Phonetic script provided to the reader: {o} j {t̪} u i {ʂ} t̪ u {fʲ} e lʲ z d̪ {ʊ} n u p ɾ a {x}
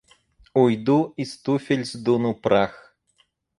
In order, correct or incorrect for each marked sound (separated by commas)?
incorrect, incorrect, incorrect, correct, incorrect, correct